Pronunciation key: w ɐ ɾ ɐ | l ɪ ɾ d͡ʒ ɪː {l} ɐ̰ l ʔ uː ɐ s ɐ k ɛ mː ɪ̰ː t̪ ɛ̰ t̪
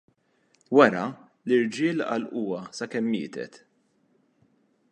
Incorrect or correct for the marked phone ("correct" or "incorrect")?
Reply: correct